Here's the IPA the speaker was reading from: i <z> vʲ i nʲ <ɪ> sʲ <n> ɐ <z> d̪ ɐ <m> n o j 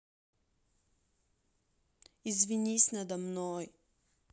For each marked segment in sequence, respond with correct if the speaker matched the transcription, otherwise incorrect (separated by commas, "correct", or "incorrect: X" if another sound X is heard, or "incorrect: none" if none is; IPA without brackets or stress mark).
correct, incorrect: i, correct, incorrect: none, correct